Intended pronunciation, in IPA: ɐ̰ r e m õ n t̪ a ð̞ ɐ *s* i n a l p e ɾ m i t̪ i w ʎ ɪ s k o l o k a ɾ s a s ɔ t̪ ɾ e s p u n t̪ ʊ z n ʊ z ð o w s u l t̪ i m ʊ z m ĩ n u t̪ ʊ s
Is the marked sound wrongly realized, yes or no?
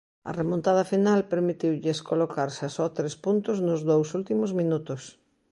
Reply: yes